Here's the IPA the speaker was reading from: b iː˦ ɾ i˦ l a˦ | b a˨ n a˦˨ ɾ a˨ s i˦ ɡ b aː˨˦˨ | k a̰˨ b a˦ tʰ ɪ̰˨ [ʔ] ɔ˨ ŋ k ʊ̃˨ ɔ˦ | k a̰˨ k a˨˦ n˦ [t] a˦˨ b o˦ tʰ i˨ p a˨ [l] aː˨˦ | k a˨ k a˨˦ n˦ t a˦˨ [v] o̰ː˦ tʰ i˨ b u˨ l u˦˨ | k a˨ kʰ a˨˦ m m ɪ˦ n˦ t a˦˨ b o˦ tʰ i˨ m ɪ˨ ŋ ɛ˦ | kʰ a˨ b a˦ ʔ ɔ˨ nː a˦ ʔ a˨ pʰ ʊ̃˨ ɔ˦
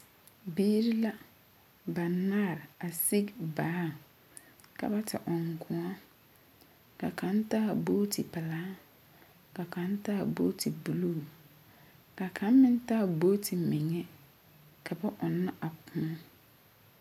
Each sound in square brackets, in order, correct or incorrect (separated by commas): correct, correct, correct, incorrect